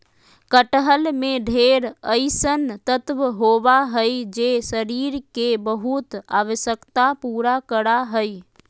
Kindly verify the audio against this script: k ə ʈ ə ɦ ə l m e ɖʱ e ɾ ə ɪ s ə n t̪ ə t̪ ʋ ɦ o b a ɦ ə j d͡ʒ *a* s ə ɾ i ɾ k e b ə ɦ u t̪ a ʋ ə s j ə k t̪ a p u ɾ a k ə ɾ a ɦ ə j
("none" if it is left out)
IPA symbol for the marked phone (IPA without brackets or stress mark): e